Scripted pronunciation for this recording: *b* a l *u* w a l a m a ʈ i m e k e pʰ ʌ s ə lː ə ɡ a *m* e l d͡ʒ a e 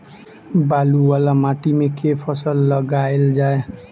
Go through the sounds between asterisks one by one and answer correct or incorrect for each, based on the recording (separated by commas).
correct, correct, incorrect